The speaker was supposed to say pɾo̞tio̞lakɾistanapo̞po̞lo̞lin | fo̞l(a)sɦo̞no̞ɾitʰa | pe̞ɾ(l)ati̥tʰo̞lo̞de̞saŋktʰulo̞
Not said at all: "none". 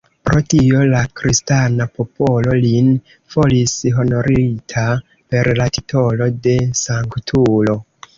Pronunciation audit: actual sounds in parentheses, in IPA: i, l

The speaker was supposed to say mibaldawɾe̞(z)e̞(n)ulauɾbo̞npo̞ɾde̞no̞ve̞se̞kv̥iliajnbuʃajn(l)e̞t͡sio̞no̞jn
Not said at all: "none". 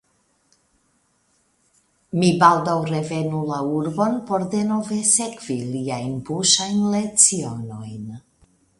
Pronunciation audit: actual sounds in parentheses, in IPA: v, n, l

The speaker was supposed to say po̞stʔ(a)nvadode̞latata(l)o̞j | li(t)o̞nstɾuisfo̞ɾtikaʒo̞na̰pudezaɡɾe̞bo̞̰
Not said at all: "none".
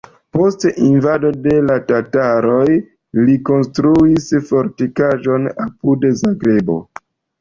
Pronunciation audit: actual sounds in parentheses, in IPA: i, ɾ, k

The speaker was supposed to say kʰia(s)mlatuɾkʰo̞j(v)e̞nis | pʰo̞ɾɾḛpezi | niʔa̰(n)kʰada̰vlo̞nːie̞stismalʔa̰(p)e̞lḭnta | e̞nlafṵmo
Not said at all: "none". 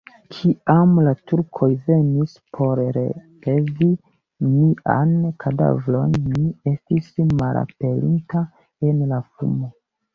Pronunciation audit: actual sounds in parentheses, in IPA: none, v, n, p

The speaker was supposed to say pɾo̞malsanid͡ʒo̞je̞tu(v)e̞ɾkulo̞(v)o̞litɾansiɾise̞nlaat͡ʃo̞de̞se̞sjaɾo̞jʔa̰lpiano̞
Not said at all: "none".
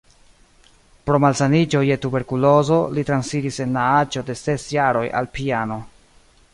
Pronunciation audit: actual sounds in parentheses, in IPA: b, z

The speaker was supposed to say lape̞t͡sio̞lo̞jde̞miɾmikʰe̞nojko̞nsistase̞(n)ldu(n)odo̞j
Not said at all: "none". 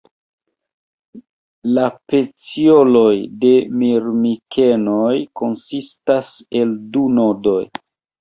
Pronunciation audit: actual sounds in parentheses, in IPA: none, n

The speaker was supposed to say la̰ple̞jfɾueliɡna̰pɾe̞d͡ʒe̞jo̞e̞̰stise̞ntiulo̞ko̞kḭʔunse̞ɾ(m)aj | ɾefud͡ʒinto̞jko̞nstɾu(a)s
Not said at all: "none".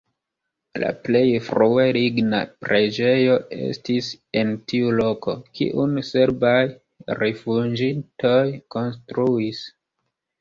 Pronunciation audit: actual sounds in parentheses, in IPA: b, i

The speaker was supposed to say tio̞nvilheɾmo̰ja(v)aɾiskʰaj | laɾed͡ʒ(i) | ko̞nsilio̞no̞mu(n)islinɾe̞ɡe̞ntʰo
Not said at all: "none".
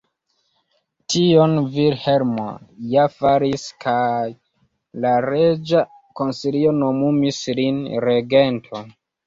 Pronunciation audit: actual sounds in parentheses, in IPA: f, a, m

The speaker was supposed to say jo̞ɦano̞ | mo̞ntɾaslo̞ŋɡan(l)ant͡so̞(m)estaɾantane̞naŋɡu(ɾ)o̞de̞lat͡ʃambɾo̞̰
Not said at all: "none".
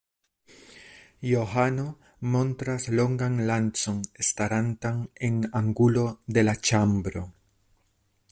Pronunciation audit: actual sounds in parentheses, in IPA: l, n, l

